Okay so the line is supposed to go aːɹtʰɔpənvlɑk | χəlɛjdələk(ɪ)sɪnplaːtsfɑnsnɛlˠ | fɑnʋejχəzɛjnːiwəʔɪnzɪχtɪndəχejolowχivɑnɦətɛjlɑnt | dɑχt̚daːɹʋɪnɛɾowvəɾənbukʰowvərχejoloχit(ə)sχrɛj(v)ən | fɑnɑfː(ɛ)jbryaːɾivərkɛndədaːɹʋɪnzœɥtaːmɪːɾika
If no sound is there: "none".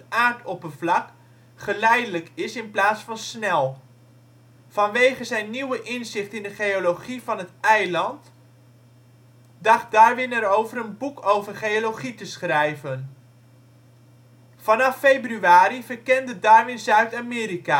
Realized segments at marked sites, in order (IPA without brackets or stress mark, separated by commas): ɪ, ə, v, e